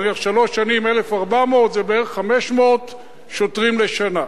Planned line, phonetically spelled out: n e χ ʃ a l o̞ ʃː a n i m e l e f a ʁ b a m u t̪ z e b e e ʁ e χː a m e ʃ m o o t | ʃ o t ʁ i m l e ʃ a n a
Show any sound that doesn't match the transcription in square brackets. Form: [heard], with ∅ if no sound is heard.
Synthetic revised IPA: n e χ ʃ a l o̞ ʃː a n i m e l e f a ʁ b a m [o] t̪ z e b e e ʁ e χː a m e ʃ m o o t | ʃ o t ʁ i m l e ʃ a n a